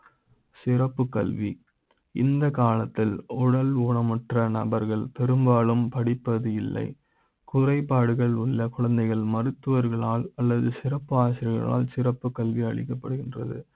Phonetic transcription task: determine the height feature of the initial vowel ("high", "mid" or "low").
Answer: high